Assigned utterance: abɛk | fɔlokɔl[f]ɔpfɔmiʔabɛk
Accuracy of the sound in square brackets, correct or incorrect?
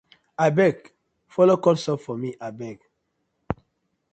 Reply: incorrect